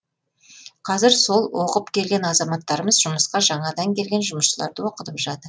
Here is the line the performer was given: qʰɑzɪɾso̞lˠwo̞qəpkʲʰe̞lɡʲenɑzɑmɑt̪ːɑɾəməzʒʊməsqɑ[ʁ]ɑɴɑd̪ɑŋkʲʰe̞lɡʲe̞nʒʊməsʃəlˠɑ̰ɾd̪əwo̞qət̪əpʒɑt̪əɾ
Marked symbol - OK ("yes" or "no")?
no